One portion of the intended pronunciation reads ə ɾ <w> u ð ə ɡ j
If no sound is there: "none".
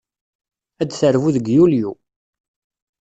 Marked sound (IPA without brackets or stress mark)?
v